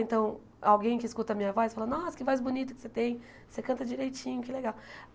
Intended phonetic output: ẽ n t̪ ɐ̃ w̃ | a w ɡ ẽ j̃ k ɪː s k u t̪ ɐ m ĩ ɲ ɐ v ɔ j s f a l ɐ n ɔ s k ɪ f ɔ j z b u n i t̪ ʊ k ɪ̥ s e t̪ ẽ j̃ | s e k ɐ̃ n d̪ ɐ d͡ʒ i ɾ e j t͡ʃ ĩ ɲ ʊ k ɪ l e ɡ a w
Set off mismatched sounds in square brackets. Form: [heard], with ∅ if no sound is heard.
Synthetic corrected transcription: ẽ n t̪ ɐ̃ w̃ | a w ɡ ẽ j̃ k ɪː s k u t̪ ɐ m ĩ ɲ ɐ v ɔ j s f a l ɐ n ɔ s k ɪ [v] ɔ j z b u n i t̪ ʊ k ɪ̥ s e t̪ ẽ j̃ | s e k ɐ̃ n [t̪] ɐ d͡ʒ i ɾ e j t͡ʃ ĩ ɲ ʊ k ɪ l e ɡ a w

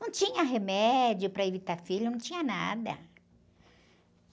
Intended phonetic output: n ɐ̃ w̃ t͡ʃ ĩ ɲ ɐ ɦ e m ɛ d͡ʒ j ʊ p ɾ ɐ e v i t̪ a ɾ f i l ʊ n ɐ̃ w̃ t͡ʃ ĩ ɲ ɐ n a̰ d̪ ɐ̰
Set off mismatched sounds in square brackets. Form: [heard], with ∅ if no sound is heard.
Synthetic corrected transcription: n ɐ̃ w̃ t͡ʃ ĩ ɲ ɐ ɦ e m ɛ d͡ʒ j ʊ p ɾ ɐ e v i t̪ a ɾ f i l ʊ n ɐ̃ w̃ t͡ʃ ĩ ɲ ɐ n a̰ d̪ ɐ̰

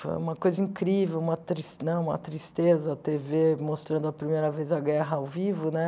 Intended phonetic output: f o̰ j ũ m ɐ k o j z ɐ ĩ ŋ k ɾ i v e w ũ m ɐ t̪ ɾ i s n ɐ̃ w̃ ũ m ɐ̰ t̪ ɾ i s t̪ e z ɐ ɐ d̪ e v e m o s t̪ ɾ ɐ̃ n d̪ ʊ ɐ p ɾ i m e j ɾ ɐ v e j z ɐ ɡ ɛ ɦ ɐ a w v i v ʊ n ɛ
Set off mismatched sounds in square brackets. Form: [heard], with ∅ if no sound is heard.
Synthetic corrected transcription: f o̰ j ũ m ɐ k o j z ɐ ĩ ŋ k ɾ i v e w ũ m ɐ t̪ ɾ i s n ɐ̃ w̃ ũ m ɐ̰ t̪ ɾ i s t̪ e z ɐ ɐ [t̪] e v e m o s t̪ ɾ ɐ̃ n d̪ ʊ ɐ p ɾ i m e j ɾ ɐ v e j z ɐ ɡ ɛ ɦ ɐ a w v i v ʊ n ɛ

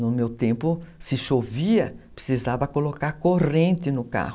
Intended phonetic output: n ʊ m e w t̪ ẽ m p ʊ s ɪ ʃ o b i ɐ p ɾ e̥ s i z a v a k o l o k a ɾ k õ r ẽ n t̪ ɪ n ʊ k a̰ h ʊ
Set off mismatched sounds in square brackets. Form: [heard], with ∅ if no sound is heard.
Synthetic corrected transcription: n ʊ m e w t̪ ẽ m p ʊ s ɪ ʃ o [v] i ɐ p ɾ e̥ s i z a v [ɐ] k o l o k a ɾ k [o] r ẽ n t̪ ɪ n ʊ k a̰ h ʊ

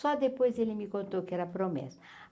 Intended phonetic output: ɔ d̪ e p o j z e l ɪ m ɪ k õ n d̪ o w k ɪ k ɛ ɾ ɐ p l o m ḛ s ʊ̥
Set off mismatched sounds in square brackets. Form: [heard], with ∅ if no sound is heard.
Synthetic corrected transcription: ɔ d̪ e p o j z e l ɪ m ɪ k õ n [t̪] o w k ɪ [∅] ɛ ɾ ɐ p [ɾ] o m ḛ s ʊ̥

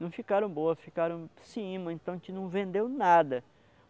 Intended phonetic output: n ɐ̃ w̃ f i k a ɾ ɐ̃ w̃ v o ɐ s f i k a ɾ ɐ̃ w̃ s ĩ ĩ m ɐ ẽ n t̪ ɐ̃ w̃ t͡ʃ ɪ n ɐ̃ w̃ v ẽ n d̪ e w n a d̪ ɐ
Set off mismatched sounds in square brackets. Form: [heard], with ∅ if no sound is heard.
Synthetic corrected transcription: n ɐ̃ w̃ f i k a ɾ ɐ̃ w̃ [b] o ɐ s f i k a ɾ ɐ̃ w̃ s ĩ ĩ m ɐ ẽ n t̪ ɐ̃ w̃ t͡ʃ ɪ n ɐ̃ w̃ v ẽ n d̪ e w n a d̪ ɐ

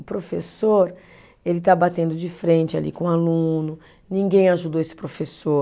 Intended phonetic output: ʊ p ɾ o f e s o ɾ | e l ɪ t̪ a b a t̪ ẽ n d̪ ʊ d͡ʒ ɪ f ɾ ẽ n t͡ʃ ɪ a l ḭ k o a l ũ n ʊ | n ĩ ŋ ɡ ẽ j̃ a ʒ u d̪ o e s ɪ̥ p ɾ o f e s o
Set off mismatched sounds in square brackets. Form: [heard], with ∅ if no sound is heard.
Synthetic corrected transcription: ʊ p ɾ o f e s o ɾ | e l ɪ t̪ a b a t̪ ẽ n d̪ ʊ d͡ʒ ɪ f ɾ ẽ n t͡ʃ ɪ a l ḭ k [õ] a l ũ n ʊ | n ĩ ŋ ɡ ẽ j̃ a ʒ u d̪ o e s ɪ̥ p ɾ o f e s o

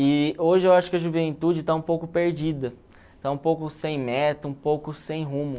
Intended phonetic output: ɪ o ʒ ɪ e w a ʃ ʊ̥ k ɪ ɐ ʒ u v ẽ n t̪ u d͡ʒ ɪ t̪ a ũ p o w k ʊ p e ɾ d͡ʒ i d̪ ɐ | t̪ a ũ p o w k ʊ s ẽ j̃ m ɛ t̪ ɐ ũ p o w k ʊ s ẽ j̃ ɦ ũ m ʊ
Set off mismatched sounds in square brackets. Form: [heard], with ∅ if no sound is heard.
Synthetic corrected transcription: ɪ o ʒ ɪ e w a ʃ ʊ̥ k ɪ ɐ ʒ u v ẽ n t̪ u d͡ʒ ɪ t̪ a ũ p o w k ʊ p e ɾ d͡ʒ i d̪ ɐ | t̪ a ũ p o w k ʊ s ẽ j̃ m ɛ t̪ ɐ ũ p o w k ʊ s ẽ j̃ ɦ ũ m ʊ

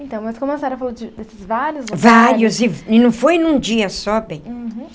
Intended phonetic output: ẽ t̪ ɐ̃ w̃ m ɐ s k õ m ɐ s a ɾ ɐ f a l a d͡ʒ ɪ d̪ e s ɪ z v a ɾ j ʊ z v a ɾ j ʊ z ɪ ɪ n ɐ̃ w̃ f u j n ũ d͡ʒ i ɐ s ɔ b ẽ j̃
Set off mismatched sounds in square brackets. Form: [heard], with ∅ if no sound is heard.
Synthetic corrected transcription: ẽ t̪ ɐ̃ w̃ m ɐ s k õ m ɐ s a ɾ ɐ f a l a d͡ʒ ɪ d̪ e s ɪ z v a ɾ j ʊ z v a ɾ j ʊ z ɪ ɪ n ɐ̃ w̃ f [o] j n ũ d͡ʒ i ɐ s ɔ b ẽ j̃

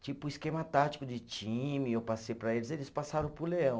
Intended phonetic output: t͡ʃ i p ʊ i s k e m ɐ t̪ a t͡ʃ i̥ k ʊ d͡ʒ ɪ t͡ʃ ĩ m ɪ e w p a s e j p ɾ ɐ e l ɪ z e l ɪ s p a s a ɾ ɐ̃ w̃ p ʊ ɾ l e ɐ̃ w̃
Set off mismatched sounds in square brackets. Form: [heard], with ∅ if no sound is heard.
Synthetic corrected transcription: t͡ʃ i p ʊ i s k e m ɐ t̪ a t͡ʃ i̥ k ʊ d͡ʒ ɪ t͡ʃ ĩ m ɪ e w p a s e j p ɾ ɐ e l ɪ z e l ɪ s p a s a ɾ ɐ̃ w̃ p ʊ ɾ l e ɐ̃ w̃

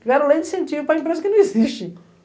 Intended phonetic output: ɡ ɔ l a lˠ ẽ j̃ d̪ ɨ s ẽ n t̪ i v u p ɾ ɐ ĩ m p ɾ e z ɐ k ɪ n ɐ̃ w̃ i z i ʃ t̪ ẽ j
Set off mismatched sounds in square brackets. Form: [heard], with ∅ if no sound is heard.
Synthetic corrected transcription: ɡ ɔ [ɾ] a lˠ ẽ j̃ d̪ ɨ s ẽ n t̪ i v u p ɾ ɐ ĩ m p ɾ e z ɐ k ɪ n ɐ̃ w̃ i z i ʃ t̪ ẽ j

